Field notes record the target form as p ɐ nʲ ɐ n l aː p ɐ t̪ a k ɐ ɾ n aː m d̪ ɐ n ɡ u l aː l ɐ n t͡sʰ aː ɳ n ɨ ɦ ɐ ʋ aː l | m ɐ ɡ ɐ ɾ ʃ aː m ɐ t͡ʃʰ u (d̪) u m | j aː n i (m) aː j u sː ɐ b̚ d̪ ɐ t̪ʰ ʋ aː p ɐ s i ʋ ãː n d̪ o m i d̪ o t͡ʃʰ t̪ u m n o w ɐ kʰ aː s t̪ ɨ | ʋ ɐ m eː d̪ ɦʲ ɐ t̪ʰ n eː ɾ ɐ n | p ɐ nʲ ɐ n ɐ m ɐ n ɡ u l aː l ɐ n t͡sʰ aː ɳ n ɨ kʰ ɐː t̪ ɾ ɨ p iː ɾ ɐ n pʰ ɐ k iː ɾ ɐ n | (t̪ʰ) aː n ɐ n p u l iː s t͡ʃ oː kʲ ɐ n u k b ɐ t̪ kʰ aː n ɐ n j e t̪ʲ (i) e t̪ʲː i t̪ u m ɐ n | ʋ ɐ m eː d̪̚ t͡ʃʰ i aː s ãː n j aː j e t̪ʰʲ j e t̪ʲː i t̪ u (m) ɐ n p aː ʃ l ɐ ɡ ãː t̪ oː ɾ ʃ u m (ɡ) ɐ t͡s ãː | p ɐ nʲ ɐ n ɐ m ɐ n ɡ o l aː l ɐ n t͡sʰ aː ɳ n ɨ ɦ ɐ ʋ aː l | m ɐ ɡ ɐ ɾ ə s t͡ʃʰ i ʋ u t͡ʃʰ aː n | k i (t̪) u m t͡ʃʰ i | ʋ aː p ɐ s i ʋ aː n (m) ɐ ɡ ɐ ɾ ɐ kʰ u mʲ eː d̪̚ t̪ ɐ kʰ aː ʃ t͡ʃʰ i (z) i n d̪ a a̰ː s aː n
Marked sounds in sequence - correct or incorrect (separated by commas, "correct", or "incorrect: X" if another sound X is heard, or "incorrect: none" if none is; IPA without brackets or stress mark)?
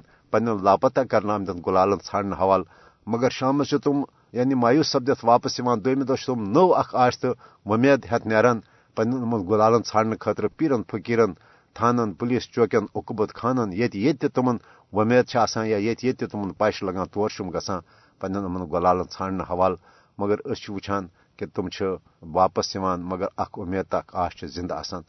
incorrect: t̪, correct, correct, incorrect: j, correct, correct, correct, correct, correct